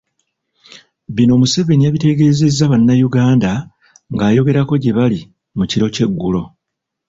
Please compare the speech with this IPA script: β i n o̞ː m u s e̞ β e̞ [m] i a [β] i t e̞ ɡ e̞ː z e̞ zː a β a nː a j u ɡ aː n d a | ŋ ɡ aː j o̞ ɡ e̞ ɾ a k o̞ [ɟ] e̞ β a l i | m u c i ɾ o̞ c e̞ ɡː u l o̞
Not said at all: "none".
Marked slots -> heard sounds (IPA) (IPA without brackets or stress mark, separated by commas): n, β, ɟ